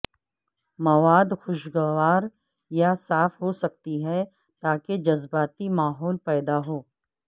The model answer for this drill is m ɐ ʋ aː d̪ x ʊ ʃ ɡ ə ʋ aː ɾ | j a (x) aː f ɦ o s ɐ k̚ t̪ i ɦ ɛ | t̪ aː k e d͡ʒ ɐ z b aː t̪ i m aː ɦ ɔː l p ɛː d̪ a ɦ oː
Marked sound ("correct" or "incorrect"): incorrect